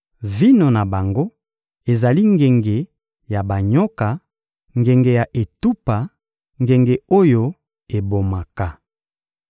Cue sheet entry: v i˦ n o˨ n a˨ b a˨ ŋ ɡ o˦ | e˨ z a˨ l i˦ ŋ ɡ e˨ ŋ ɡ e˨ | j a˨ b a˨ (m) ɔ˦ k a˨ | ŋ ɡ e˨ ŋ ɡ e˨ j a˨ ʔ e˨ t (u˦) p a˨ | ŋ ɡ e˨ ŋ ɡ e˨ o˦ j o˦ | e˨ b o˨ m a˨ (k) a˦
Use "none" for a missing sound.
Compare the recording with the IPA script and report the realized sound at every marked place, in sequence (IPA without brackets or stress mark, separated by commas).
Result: ɲ, u˦, k